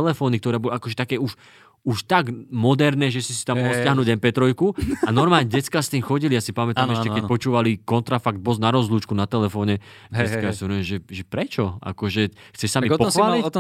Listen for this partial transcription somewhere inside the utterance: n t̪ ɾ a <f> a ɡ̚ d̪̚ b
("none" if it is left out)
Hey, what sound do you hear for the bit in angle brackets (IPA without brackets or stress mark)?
f